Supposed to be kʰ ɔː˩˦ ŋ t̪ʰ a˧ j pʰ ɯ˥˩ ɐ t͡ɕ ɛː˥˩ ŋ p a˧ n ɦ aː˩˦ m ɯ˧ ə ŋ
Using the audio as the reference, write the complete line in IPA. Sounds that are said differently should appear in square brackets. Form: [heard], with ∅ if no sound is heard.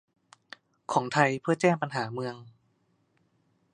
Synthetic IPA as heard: kʰ ɔː˩˦ ŋ t̪ʰ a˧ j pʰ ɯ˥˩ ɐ t͡ɕ ɛː˥˩ ŋ p a˧ n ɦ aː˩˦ m ɯ˧ ə ŋ